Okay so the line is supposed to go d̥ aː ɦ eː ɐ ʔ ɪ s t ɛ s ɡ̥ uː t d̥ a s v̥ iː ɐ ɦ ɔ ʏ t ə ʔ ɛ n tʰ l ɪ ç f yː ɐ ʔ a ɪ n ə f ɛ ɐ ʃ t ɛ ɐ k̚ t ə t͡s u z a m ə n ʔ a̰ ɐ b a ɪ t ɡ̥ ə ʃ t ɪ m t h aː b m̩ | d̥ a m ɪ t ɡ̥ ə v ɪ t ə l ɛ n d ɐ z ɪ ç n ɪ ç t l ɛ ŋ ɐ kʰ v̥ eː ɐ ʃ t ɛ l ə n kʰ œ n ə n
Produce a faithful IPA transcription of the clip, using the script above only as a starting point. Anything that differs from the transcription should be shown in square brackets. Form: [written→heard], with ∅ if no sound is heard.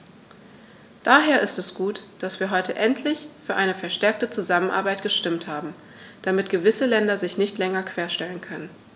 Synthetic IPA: d̥ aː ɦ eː ɐ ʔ ɪ s t ɛ s ɡ̥ uː t d̥ a s v̥ iː ɐ ɦ ɔ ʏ t ə ʔ ɛ n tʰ l ɪ ç f yː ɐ ʔ a ɪ n ə f ɛ ɐ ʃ t ɛ ɐ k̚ t ə t͡s u z a m ə n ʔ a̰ ɐ b a ɪ t ɡ̥ ə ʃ t ɪ m t h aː b m̩ | d̥ a m ɪ t ɡ̥ ə v ɪ [t→s] ə l ɛ n d ɐ z ɪ ç n ɪ ç t l ɛ ŋ ɐ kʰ v̥ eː ɐ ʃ t ɛ l ə n kʰ œ n ə n